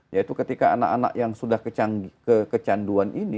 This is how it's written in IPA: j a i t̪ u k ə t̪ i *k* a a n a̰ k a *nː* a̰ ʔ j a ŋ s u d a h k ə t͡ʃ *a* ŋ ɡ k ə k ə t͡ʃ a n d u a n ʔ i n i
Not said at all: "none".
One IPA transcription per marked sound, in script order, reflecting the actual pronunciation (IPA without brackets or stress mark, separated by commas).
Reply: k, n, a